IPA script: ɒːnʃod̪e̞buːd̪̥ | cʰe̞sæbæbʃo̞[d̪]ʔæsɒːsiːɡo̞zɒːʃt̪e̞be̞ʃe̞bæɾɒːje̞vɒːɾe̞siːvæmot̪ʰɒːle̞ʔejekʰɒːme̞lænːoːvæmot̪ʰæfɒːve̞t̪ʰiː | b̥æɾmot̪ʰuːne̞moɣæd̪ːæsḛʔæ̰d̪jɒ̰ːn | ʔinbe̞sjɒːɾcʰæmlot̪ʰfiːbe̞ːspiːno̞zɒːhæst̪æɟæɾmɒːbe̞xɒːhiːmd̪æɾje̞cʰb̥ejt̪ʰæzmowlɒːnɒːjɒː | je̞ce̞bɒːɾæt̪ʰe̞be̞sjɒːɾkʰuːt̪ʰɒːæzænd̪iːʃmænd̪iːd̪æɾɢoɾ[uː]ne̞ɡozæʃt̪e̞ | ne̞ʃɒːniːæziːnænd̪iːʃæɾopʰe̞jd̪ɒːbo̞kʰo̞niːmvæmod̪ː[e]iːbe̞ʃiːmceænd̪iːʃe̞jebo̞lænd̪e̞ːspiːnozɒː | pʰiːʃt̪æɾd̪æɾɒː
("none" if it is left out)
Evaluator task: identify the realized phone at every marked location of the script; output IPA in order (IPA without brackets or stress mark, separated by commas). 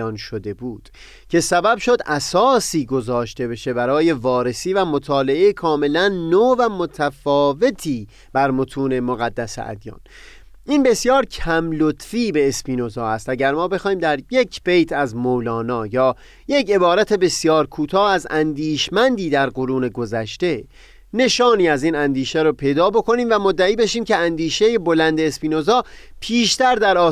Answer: d̪, uː, æ